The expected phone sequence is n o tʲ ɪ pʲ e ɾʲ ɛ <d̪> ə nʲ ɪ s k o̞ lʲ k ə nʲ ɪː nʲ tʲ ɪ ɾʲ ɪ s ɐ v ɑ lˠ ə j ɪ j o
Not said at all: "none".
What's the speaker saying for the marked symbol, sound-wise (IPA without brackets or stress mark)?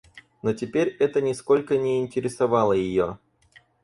t̪